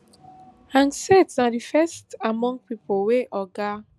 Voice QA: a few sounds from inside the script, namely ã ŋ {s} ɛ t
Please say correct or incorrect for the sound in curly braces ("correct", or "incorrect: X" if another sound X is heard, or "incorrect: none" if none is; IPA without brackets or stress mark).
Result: correct